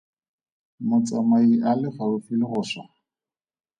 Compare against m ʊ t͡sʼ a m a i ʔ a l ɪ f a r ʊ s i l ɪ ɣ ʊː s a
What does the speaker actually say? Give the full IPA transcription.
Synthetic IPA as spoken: m ʊ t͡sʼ a m a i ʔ a l ɪ f a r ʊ f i l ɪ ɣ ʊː s a